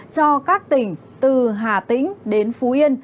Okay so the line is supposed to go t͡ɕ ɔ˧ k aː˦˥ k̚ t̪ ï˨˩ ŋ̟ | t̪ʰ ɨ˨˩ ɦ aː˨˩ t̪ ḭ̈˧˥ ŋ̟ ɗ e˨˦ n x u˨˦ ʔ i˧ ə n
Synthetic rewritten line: t͡ɕ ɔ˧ k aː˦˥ k̚ t̪ ï˨˩ ŋ̟ | t̪ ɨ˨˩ ɦ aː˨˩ t̪ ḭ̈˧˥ ŋ̟ ɗ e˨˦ n f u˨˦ ʔ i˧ ə n